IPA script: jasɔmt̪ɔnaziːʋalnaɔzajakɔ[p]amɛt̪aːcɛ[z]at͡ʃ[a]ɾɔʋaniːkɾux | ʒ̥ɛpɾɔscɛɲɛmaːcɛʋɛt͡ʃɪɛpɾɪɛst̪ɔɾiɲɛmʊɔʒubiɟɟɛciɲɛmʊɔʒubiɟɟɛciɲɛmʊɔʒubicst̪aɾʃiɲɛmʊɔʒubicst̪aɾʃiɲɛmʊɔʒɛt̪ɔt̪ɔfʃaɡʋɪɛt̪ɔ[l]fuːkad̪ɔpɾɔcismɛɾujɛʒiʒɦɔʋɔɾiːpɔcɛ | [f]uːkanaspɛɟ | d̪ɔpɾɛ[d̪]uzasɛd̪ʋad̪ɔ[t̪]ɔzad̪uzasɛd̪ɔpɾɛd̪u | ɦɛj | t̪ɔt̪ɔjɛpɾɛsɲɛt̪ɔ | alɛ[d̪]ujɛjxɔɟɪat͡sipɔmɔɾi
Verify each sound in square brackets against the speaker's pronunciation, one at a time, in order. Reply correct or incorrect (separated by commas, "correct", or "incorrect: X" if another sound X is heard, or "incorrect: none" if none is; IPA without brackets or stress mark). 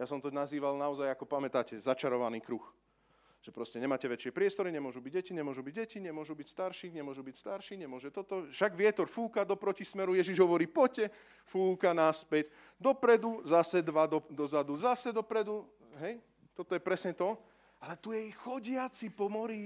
correct, correct, correct, incorrect: ɾ, correct, correct, incorrect: d̪, incorrect: t̪